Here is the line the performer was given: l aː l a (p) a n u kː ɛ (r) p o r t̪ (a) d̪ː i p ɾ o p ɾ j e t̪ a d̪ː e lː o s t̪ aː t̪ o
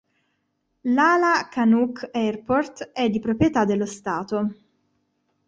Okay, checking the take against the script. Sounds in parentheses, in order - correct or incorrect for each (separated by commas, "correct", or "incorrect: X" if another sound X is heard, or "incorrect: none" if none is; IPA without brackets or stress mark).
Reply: incorrect: k, correct, incorrect: ɛ